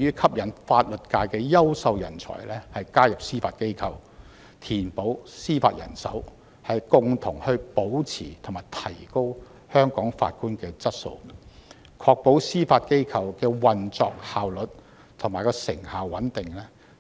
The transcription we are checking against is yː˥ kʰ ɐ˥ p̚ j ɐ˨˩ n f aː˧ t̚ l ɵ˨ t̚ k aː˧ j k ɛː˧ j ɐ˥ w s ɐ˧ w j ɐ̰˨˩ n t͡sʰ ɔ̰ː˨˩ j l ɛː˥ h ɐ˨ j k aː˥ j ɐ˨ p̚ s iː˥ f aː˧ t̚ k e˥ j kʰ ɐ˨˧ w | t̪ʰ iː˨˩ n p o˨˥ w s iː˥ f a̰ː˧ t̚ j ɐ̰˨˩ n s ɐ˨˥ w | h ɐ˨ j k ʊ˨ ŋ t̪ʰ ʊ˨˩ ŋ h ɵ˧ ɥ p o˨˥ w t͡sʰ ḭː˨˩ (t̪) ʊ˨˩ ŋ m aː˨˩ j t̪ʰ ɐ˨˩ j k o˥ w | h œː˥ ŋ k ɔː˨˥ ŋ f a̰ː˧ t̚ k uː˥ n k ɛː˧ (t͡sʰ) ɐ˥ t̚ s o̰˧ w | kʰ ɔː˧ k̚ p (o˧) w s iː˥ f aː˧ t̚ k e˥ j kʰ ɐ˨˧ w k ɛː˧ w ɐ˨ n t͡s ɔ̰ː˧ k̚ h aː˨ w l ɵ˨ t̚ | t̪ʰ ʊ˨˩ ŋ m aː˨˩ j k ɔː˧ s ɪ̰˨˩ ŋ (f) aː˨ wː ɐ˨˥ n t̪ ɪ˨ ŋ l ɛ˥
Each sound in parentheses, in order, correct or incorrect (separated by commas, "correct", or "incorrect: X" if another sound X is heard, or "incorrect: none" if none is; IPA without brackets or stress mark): incorrect: t̪ʰ, incorrect: t͡s, incorrect: o˨˥, incorrect: h